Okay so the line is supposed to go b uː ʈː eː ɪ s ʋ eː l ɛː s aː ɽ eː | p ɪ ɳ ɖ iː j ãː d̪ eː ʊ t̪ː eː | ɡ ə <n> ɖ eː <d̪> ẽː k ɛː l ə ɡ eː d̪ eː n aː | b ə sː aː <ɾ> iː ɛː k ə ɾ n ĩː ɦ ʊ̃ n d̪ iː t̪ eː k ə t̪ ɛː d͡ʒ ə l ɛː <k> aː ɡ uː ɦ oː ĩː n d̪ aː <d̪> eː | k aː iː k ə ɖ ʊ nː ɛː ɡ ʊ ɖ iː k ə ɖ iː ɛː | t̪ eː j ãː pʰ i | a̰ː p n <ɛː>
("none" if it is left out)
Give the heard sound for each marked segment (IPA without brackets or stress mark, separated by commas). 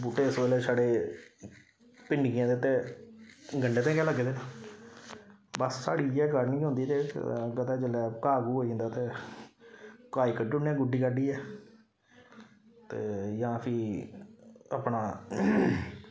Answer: ɳ, t̪, ɽ, k, t̪, aː